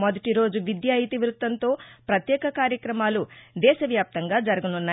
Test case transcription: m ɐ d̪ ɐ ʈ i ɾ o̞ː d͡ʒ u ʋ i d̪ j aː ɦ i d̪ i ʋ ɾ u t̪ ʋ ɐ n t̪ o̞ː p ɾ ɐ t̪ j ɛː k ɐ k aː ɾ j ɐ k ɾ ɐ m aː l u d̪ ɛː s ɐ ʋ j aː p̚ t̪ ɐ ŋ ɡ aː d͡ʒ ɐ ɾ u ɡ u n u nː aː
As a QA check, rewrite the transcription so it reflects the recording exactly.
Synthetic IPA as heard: m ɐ d̪ ɐ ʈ i ɾ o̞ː d͡ʒ u ʋ i d̪ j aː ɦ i t̪ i ʋ ɾ u t̪ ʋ ɐ n t̪ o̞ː p ɾ ɐ t̪ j ɛː k ɐ k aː ɾ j ɐ k ɾ ɐ m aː l u d̪ ɛː ʃ ɐ ʋ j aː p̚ t̪ ɐ ŋ ɡ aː d͡ʒ ɐ ɾ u ɡ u n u nː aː